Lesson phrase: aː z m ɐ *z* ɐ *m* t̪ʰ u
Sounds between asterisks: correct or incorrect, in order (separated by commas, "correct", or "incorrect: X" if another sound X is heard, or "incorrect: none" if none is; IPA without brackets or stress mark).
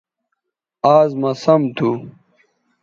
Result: incorrect: s, correct